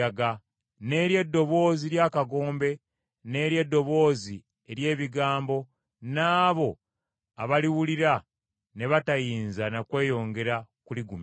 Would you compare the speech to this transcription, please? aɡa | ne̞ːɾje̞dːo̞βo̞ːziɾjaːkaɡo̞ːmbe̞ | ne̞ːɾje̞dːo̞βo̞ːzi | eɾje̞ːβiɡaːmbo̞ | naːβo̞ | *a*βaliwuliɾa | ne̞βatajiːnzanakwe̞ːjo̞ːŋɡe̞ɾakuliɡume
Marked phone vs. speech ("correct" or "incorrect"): correct